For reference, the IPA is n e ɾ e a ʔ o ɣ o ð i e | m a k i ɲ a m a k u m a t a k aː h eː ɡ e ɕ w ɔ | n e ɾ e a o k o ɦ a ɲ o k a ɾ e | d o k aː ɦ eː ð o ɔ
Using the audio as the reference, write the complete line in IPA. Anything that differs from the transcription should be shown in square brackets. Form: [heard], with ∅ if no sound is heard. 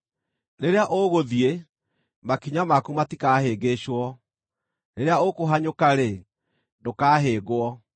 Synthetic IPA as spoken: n e ɾ e a ʔ o ɣ o ð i e | m a k i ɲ a m a k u m a t [i] k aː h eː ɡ e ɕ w ɔ | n e ɾ e a o k o ɦ a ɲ o k a ɾ e | d o k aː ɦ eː [ɣ] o ɔ